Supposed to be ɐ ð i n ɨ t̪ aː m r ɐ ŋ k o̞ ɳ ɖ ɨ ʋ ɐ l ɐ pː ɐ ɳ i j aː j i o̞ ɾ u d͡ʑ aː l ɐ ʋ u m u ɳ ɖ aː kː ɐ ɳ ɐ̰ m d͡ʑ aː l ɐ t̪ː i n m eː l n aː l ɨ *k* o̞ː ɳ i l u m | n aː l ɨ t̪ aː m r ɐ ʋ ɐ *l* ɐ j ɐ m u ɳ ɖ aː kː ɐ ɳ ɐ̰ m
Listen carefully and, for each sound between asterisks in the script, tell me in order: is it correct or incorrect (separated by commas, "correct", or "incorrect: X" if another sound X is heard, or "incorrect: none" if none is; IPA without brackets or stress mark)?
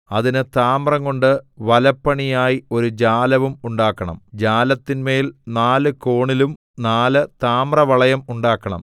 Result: correct, incorrect: ɭ